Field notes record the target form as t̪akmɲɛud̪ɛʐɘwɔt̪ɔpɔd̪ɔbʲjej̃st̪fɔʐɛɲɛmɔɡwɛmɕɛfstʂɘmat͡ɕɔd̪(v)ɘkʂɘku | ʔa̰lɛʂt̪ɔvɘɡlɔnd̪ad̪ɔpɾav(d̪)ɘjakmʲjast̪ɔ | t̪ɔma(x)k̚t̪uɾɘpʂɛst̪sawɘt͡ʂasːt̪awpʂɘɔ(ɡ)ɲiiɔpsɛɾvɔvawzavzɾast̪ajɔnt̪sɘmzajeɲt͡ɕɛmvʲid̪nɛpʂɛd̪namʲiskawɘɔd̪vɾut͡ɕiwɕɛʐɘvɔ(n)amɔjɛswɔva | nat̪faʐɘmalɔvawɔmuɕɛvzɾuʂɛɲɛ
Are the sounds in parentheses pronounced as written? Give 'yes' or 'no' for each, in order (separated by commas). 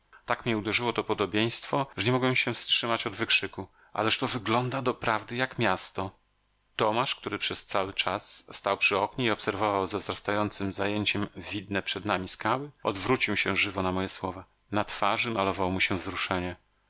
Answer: yes, yes, no, no, yes